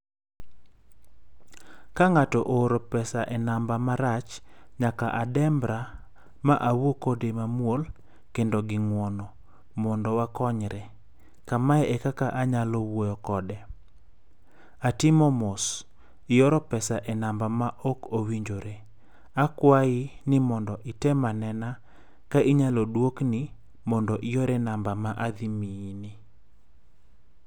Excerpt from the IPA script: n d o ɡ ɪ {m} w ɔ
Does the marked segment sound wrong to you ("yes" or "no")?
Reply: yes